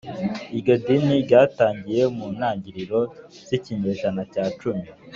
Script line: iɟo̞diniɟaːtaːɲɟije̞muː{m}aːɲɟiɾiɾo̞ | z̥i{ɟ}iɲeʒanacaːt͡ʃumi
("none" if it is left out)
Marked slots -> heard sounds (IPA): n, c

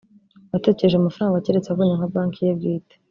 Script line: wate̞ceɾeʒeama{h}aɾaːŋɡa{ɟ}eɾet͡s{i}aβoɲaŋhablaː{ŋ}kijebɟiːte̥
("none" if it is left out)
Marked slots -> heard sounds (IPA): f, c, e, ŋ

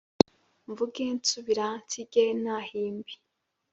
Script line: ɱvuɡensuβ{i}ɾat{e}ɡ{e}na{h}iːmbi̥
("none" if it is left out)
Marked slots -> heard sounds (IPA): i, i, e, h

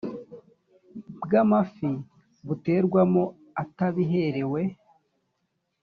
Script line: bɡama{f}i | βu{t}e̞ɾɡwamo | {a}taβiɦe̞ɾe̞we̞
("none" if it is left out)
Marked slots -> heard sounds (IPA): f, t, a

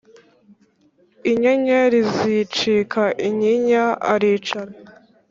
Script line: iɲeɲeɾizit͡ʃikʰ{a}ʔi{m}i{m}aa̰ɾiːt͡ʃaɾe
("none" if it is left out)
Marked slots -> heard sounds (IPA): a, ɲ, ɲ

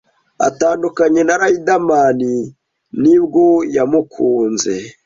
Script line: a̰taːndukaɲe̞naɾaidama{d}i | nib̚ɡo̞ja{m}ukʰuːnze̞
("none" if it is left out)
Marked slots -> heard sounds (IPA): n, m

